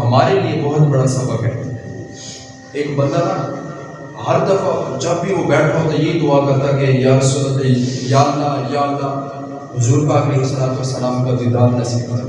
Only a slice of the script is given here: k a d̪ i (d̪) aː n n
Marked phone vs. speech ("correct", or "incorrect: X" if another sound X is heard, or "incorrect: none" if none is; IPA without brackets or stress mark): correct